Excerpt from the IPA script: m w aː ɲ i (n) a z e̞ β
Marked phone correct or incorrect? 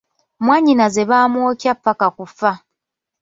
correct